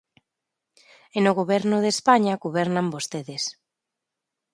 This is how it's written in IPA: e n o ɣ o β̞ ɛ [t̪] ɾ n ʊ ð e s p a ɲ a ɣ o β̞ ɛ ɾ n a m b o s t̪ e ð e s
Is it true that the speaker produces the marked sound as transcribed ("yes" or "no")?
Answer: no